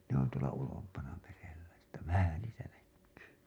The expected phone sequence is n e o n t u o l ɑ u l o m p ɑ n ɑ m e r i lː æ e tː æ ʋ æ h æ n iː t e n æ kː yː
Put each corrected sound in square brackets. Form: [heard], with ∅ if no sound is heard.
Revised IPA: n e o n t u o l ɑ u l o m p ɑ n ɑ m e r [e] lː æ e tː æ ʋ æ h æ n iː t [æ] n æ kː yː